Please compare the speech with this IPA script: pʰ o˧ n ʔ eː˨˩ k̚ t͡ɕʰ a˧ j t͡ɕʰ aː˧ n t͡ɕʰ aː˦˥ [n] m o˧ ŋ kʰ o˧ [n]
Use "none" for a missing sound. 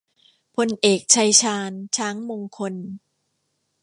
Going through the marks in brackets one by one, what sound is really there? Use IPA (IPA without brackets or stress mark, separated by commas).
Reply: ŋ, n